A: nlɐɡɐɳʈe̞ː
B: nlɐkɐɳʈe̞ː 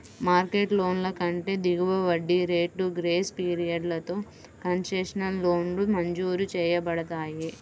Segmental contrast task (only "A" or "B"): B